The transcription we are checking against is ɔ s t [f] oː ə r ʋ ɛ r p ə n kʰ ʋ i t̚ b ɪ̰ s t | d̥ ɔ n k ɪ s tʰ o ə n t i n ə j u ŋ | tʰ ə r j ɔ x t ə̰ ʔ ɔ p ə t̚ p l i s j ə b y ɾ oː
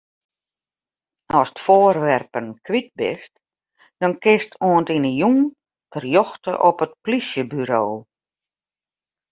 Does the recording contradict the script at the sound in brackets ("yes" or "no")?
no